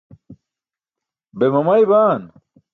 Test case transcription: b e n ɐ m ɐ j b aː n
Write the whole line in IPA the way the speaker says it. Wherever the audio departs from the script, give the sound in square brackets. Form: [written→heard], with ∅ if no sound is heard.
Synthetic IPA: b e [n→m] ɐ m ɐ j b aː n